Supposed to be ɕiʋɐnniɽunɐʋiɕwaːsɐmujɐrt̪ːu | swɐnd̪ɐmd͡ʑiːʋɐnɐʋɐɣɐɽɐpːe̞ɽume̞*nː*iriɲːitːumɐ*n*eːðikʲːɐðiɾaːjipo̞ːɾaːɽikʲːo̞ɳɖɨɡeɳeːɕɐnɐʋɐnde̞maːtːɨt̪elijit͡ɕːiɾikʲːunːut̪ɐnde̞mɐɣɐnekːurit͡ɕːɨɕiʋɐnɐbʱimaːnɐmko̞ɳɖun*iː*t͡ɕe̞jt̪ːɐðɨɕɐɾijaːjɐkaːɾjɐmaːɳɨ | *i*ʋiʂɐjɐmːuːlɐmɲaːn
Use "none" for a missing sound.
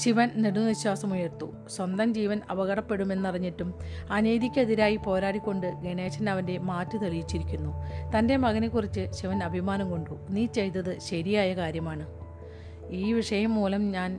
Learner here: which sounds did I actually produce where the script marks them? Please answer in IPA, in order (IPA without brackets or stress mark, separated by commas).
nː, n, iː, iː